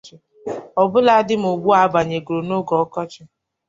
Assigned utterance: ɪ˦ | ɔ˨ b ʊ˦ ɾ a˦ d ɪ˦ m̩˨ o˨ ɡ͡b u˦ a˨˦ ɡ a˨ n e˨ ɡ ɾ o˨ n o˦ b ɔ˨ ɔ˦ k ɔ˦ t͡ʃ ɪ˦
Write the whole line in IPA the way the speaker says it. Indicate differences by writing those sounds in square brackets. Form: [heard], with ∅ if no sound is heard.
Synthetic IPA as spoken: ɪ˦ | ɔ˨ b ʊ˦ [l] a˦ d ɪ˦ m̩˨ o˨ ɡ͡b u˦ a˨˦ [b] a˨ [ɲ] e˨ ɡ ɾ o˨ n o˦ [ɡ] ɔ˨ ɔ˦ k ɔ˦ t͡ʃ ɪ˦